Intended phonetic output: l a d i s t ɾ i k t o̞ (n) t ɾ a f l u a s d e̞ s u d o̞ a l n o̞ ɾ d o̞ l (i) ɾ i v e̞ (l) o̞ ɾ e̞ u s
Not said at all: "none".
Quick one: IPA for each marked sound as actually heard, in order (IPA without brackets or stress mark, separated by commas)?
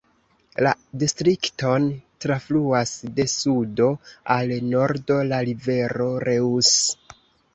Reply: n, a, ɾ